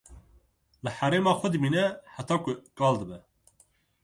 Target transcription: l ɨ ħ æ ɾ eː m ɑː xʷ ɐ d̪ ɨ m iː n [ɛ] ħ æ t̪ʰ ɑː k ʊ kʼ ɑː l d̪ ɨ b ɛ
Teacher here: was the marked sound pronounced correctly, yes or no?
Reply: yes